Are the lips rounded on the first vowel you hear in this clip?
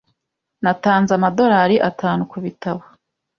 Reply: no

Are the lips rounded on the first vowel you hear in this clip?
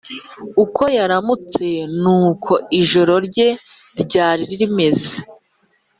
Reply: yes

